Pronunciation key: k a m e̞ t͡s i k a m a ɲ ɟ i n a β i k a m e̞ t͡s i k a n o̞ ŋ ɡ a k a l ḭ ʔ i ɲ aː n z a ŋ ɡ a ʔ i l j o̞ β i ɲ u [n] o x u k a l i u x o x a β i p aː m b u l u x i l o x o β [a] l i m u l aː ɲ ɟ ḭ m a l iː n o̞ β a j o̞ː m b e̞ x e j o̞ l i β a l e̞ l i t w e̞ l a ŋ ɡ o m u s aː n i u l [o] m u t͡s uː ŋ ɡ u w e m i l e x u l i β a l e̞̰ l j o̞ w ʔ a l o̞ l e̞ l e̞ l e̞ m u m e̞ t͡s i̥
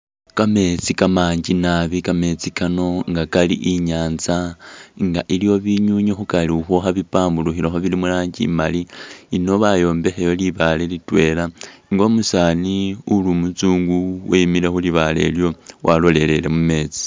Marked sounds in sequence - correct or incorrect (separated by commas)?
incorrect, incorrect, incorrect